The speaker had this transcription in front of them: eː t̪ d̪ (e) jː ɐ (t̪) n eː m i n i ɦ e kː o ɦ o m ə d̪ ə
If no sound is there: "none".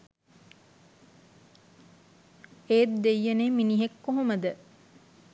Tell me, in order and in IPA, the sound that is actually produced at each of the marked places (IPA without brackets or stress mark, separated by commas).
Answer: e, none